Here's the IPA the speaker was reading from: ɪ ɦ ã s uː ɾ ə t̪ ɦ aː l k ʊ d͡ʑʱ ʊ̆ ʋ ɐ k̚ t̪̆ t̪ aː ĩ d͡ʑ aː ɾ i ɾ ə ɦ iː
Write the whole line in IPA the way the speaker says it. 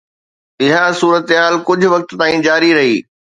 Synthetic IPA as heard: ɪ ɦ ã s uː ɾ ə t̪ ɦ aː l k ʊ d͡ʑʱ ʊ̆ ʋ ɐ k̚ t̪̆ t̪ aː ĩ d͡ʑ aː ɾ i ɾ ɐ ɦ iː

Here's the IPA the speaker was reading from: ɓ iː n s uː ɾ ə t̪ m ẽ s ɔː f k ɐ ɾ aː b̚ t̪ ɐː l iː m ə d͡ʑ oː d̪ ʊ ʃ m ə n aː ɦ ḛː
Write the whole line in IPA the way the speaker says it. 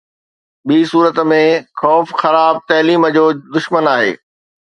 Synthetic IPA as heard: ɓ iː s uː ɾ ə t̪ m ẽ x ɔː f x ɐ ɾ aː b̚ t̪ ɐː l iː m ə d͡ʑ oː d̪ ʊ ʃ m ə n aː ɦ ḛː

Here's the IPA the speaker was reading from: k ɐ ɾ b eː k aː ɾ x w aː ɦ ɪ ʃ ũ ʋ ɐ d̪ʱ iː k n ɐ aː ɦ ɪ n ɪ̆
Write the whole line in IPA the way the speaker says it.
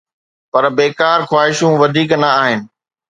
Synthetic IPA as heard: p ɐ ɾ b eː k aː ɾ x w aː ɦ ɪ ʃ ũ ʋ ɐ d̪ʱ iː k n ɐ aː ɦ ɪ n ɪ̆

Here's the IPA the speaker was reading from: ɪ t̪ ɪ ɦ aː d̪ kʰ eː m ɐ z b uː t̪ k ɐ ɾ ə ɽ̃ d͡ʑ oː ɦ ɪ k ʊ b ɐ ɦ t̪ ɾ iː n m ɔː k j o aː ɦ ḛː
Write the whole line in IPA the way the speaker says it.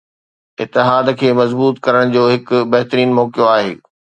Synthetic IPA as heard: ɪ t̪ ɪ ɦ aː d̪ kʰ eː m ɐ z b uː t̪ k ɐ ɾ ə ɽ̃ d͡ʑ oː ɦ ɪ k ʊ b ɐ ɦ t̪ ɾ iː n m ɔː k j o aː ɦ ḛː

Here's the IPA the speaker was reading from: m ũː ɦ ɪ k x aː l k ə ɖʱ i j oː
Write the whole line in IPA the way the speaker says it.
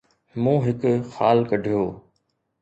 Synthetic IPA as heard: m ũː ɦ ɪ k x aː l k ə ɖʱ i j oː

